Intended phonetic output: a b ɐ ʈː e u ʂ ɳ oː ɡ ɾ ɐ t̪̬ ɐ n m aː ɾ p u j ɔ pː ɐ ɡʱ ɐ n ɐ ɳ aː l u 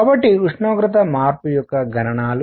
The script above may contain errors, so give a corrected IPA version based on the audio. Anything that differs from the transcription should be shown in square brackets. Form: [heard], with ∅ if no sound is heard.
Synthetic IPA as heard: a b ɐ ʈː [i] u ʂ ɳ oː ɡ ɾ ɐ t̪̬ ɐ [∅] m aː ɾ p u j ɔ [kː] ɐ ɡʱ ɐ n ɐ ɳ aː l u